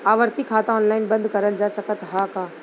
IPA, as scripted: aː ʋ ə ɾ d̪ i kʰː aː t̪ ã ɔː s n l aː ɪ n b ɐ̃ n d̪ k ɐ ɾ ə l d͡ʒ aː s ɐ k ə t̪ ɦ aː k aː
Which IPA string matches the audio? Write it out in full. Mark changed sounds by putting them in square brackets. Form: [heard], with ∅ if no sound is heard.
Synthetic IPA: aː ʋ ə ɾ [t̪] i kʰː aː t̪ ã ɔː [∅] n l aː ɪ n b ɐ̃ n d̪ k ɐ ɾ ə l d͡ʒ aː s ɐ k ə t̪ ɦ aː k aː